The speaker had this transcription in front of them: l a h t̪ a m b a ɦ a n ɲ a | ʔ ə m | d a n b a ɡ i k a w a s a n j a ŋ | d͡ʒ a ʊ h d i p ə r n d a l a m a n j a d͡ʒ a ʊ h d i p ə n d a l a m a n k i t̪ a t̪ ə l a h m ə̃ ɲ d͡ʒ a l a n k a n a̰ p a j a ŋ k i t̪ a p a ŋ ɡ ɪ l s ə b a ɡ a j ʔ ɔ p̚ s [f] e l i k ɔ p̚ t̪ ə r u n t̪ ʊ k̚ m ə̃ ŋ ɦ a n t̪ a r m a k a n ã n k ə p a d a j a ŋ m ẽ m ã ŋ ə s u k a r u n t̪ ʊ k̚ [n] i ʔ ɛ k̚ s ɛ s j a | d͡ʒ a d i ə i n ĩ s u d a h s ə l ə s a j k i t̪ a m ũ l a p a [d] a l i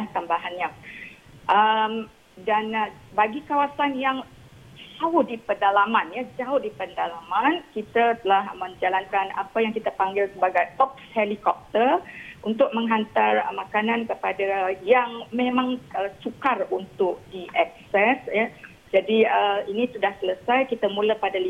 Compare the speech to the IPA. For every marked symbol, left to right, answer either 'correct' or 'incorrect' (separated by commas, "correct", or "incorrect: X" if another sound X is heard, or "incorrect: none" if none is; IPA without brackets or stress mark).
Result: incorrect: h, incorrect: d, correct